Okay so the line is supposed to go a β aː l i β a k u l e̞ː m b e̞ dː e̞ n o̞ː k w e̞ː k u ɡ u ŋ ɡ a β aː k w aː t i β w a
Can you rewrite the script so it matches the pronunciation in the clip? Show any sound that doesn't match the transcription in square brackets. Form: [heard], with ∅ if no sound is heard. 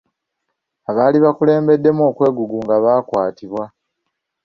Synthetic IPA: a β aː l i β a k u l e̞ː m b e̞ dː e̞ [m] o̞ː k w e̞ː [ɡ] u ɡ u ŋ ɡ a β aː k w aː t i β w a